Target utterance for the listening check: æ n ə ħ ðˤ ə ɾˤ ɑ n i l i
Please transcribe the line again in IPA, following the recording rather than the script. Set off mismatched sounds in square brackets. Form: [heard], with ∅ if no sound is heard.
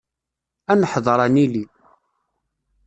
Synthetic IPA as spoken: æ n ə ħ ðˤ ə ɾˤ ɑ n i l i